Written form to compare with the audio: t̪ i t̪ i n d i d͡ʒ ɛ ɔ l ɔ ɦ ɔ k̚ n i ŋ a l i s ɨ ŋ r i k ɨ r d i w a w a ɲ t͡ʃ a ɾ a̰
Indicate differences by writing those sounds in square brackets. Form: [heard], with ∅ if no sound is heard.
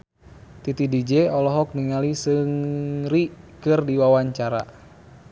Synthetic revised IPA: t̪ i t̪ i [∅] d i d͡ʒ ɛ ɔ l ɔ ɦ ɔ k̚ n i ŋ a l i s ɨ ŋ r i k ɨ r d i w a w a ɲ t͡ʃ a ɾ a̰